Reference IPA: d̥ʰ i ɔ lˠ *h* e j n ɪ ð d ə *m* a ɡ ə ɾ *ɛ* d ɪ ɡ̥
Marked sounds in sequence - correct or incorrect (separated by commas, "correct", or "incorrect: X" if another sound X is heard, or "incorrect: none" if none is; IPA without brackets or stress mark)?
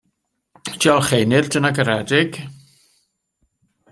incorrect: χ, incorrect: n, correct